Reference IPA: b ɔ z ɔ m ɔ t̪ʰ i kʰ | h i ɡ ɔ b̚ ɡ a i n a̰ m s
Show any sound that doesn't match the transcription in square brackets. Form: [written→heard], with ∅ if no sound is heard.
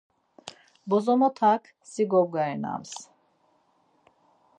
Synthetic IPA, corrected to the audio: b ɔ z ɔ m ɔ t̪ʰ [i→a] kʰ | [h→s] i ɡ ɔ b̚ ɡ a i n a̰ m s